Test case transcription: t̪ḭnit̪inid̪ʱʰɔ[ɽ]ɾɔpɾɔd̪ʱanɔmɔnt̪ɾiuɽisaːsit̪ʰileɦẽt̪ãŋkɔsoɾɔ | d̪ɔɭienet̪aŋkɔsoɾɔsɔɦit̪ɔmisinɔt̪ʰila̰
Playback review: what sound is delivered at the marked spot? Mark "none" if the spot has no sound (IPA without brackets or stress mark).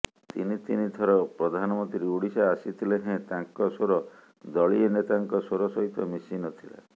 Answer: none